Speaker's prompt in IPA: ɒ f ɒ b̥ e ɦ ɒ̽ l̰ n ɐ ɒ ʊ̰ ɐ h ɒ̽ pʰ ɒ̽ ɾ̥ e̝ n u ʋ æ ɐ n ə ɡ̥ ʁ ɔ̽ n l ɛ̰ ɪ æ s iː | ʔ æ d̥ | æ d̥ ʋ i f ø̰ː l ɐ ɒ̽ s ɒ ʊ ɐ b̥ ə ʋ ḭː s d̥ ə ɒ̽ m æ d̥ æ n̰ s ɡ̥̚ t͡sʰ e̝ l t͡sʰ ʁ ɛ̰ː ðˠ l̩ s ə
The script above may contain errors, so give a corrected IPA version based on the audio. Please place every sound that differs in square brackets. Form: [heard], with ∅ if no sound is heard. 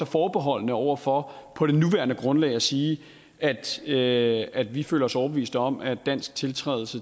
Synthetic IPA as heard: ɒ f [ɒː] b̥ e ɦ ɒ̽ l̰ n [ə] ɒ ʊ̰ ɐ [f] ɒ̽ pʰ ɒ̽ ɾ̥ e̝ n u ʋ æ ɐ n ə ɡ̥ ʁ ɔ̽ n l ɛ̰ ɪ æ s iː | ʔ æ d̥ | æ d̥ ʋ i f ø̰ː l ɐ ɒ̽ s ɒ ʊ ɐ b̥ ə ʋ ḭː s d̥ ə ɒ̽ m æ d̥ æ n̰ s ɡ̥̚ t͡sʰ e̝ l t͡sʰ ʁ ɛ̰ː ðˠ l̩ s ə